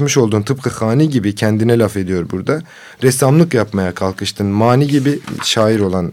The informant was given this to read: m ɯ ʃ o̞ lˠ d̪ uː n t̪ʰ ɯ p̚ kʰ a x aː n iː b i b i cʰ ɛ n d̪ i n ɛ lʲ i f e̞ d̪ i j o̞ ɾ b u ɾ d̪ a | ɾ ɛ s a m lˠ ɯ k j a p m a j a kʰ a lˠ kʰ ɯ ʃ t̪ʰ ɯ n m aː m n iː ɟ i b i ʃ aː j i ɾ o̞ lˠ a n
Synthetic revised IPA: m ɯ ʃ o̞ lˠ d̪ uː n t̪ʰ ɯ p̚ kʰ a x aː n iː ɟ i b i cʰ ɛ n d̪ i n ɛ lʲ a f e̞ d̪ i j o̞ ɾ b u ɾ d̪ a | ɾ ɛ s a m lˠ ɯ k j a p m a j a kʰ a lˠ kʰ ɯ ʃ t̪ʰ ɯ n m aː n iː ɟ i b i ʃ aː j i ɾ o̞ lˠ a n